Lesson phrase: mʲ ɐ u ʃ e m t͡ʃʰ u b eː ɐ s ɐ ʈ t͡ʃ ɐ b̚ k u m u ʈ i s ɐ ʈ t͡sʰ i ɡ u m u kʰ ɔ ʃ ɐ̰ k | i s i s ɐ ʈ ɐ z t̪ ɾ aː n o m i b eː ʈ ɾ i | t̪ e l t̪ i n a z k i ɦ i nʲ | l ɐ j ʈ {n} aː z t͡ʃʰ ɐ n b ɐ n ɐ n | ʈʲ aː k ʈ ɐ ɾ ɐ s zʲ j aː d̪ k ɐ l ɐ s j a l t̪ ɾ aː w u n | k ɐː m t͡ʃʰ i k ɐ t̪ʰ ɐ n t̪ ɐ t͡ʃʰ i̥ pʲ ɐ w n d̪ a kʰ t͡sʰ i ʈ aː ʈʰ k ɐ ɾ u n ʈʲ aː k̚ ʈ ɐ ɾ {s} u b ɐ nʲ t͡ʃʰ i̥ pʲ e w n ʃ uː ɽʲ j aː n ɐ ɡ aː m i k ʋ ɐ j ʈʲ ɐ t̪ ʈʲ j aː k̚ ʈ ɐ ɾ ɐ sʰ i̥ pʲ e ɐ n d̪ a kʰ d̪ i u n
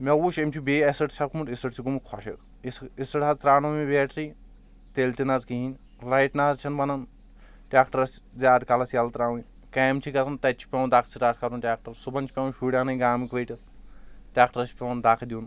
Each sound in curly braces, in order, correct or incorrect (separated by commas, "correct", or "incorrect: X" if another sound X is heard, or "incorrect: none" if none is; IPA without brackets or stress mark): correct, correct